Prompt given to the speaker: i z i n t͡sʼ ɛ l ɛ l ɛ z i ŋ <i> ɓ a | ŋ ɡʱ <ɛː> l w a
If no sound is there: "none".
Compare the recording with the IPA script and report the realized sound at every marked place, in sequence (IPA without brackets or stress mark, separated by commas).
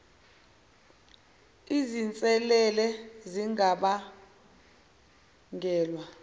a, ɛː